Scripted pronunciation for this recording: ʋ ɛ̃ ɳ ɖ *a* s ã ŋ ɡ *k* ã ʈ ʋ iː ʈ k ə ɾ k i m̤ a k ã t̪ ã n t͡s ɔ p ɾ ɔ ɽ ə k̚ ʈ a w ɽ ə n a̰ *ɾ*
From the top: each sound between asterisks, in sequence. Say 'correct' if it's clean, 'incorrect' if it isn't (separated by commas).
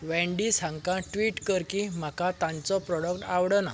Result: incorrect, correct, incorrect